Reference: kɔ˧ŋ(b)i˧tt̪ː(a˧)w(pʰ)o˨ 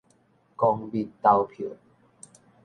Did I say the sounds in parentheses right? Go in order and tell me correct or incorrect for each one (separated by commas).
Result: correct, correct, correct